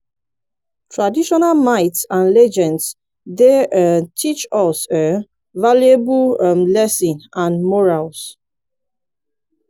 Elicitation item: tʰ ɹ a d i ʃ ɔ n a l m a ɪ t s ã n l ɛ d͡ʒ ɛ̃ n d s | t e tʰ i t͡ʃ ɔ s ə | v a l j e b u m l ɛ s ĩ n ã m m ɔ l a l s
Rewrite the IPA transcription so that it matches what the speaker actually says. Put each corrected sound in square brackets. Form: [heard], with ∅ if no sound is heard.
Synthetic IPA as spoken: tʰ ɹ a d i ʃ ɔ n a l m a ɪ t s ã n l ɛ d͡ʒ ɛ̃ n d s | [d] e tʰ i t͡ʃ ɔ s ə | v a l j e b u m l ɛ s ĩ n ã [n] m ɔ [ɹ] a l s